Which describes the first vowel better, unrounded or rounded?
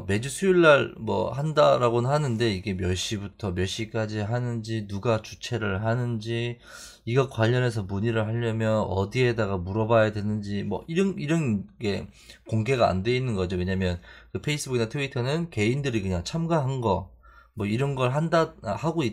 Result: unrounded